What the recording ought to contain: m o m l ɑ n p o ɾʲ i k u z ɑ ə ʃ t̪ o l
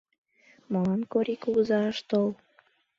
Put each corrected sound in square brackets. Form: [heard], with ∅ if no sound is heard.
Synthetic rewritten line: m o [∅] l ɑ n [k] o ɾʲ i k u z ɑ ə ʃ t̪ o l